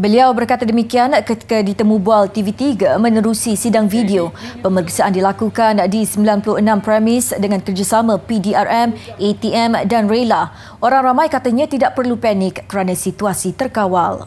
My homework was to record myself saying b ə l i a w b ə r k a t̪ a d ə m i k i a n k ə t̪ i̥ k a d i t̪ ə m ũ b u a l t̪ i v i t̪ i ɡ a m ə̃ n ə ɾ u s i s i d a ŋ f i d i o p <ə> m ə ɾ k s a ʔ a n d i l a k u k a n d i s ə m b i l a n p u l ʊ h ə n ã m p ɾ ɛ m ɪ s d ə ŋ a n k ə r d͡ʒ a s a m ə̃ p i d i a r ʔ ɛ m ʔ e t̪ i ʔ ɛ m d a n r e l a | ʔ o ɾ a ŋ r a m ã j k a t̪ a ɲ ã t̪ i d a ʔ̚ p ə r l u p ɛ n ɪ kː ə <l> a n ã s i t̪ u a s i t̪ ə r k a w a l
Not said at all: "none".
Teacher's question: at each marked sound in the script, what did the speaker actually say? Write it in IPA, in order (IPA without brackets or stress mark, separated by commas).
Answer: ə, ɾ